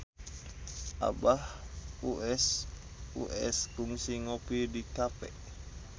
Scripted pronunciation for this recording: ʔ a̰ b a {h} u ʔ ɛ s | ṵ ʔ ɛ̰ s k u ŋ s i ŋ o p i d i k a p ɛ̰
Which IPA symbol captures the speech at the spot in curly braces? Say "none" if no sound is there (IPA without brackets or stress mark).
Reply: h